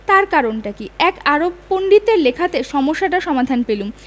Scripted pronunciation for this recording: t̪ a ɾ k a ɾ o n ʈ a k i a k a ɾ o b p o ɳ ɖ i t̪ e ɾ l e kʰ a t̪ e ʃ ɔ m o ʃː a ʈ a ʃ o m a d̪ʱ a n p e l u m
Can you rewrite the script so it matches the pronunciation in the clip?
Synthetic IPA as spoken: t̪ a ɾ k a ɾ o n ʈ a k i ɛ k a ɾ o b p o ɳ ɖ i t̪ e ɾ l e kʰ a t̪ e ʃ ɔ m o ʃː a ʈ a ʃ ɔ m a d̪ʱ a n p e l u m